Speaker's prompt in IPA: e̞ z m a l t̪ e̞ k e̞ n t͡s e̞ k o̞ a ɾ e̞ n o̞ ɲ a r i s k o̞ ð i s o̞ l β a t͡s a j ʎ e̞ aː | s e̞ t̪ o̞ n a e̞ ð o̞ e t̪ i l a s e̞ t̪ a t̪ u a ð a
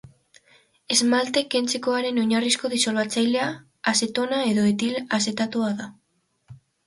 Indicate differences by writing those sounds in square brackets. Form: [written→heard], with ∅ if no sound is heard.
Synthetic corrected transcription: e̞ z m a l t̪ e̞ k e̞ n t͡s e̞ k o̞ a ɾ e̞ n o̞ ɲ a r i s k o̞ ð i s o̞ l β a t͡s a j [ʎ→l] e̞ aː | s e̞ t̪ o̞ n a e̞ ð o̞ e t̪ i l a s e̞ t̪ a t̪ u a ð a